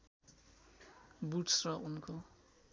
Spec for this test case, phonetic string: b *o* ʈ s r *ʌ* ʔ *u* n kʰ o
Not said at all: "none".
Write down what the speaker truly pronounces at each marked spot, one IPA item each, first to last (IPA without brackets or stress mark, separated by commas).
u, ʌ, u